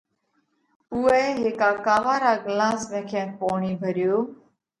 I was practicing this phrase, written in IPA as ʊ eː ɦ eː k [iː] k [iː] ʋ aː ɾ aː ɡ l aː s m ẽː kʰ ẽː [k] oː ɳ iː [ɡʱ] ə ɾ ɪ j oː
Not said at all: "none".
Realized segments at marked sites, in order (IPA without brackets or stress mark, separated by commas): aː, aː, p, bʱ